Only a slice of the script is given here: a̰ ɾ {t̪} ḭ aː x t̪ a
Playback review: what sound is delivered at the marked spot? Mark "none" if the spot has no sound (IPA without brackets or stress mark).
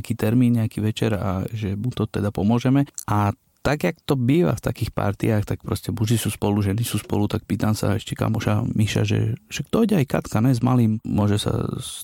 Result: t̪